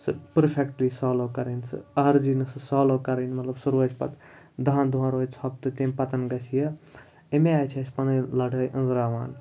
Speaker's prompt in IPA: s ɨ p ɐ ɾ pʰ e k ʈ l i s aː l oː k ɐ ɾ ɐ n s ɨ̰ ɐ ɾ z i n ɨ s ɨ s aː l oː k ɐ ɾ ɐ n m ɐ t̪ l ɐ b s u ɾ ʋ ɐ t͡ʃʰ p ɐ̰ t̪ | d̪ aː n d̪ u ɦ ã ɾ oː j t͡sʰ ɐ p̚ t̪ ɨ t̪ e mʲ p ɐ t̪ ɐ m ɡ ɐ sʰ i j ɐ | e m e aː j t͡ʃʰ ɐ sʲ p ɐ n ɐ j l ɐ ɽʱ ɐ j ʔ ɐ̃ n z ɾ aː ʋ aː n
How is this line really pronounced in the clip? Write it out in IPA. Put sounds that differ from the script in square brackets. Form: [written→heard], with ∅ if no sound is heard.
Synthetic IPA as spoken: s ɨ p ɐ ɾ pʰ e k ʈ l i s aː l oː k ɐ ɾ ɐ n s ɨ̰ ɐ ɾ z i n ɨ s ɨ s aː l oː k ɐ ɾ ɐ n m ɐ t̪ l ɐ b s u ɾ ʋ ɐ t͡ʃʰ p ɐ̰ t̪ | d̪ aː n d̪ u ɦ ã ɾ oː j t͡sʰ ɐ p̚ t̪ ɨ t̪ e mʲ p ɐ t̪ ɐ [m→n] ɡ ɐ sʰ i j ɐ | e m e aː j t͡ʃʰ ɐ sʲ p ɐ n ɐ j l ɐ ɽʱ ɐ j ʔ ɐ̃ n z ɾ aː ʋ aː n